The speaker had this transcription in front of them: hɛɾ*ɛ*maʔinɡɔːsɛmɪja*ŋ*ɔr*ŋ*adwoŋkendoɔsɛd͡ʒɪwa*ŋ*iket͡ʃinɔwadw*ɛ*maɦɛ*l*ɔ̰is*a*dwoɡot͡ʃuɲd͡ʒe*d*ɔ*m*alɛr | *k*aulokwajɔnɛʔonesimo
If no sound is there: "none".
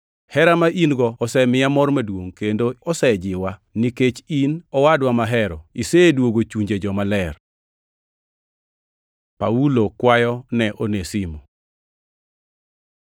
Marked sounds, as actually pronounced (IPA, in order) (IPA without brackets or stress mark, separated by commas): a, m, m, n, a, ɾ, e, d͡ʒ, m, p